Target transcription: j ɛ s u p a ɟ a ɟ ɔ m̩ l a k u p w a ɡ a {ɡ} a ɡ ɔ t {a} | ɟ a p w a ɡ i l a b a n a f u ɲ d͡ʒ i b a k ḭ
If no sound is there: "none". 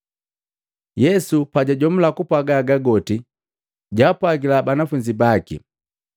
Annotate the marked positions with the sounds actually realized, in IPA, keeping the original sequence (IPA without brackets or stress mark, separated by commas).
ɡ, i